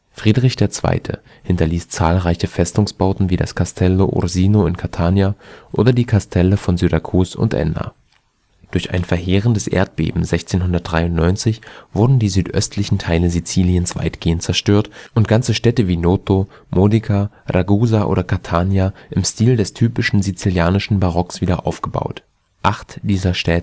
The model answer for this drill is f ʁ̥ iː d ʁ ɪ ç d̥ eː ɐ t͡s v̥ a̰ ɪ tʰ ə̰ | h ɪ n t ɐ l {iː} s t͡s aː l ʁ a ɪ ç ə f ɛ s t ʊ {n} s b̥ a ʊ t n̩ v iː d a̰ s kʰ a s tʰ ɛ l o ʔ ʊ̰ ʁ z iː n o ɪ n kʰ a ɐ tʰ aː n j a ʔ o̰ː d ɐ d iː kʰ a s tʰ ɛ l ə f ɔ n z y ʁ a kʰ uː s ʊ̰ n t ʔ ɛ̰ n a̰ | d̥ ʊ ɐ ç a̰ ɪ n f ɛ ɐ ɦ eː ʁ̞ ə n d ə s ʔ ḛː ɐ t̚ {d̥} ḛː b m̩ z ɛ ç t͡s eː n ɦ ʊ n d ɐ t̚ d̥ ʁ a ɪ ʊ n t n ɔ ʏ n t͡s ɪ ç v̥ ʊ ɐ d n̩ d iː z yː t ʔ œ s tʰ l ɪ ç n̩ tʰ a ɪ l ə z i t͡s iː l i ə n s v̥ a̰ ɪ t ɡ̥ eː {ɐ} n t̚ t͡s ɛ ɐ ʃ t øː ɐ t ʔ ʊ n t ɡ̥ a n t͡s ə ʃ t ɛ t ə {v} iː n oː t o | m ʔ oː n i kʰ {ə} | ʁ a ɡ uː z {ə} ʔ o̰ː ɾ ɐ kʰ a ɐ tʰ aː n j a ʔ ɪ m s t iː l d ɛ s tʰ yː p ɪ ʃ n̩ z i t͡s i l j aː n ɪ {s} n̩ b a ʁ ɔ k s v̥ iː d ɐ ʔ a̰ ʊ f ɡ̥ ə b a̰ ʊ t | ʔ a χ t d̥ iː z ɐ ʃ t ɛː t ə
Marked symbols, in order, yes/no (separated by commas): yes, no, no, no, yes, no, no, no